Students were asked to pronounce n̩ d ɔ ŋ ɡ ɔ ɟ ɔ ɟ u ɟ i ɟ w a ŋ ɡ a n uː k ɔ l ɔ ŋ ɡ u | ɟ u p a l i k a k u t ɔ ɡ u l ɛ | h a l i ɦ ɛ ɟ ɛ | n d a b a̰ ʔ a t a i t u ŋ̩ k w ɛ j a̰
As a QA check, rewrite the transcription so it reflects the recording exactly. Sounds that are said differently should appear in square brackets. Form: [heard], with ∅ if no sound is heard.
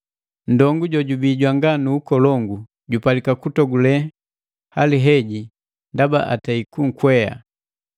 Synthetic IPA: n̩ d ɔ ŋ ɡ [u] ɟ ɔ ɟ u [b] i ɟ w a ŋ ɡ a n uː k ɔ l ɔ ŋ ɡ u | ɟ u p a l i k a k u t ɔ ɡ u l ɛ | h a l i ɦ ɛ ɟ [i] | n d a b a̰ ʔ a t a i [k] u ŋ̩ k w ɛ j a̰